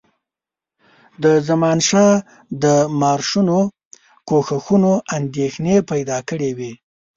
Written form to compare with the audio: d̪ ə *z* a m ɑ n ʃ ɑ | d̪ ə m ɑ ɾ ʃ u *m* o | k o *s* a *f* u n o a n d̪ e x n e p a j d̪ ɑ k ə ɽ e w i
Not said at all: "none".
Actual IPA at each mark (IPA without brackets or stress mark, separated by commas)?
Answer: z, n, x, x